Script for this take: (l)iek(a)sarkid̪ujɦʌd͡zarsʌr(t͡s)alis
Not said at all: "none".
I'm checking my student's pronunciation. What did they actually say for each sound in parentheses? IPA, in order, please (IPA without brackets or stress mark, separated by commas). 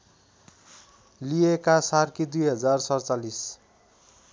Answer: l, a, t͡s